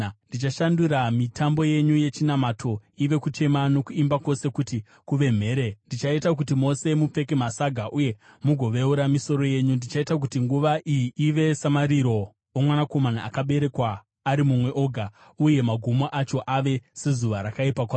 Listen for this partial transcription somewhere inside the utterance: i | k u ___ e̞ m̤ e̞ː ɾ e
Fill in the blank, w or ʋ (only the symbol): ʋ